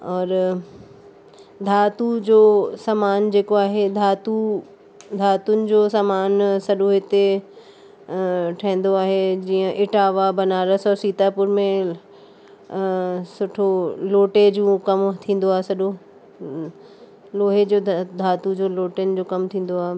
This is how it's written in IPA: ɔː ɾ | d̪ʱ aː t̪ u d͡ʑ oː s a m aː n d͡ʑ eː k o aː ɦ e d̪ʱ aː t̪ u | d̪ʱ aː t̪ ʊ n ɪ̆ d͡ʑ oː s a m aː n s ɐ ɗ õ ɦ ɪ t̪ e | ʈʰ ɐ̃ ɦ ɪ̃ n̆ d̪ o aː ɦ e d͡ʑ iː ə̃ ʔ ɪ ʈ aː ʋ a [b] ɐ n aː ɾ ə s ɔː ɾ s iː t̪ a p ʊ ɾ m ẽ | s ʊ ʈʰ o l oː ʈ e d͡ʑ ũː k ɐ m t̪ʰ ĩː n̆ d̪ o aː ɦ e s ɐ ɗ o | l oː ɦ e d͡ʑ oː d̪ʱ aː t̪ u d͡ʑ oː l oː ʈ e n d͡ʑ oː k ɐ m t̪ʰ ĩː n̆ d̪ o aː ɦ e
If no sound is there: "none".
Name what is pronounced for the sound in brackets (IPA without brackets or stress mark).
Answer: b